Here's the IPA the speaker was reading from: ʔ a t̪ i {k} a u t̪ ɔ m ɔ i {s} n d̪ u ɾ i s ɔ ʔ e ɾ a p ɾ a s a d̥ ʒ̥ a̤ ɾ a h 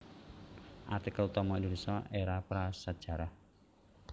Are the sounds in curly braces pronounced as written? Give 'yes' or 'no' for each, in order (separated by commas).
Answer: yes, no